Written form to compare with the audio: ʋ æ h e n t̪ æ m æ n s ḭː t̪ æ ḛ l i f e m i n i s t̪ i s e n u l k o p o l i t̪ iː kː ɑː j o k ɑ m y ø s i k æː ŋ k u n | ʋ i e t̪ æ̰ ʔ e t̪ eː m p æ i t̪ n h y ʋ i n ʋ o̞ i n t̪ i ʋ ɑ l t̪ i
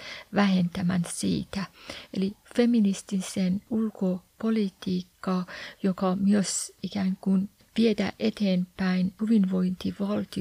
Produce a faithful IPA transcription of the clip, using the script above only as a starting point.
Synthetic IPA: ʋ æ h e n t̪ æ m æ n s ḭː t̪ æ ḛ l i f e m i n i s t̪ i s e n u l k o p o l i t̪ iː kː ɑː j o k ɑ m y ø s i k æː ŋ k u n | ʋ i e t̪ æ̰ ʔ e t̪ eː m p æ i n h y ʋ i n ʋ o̞ i n t̪ i ʋ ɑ l t̪ i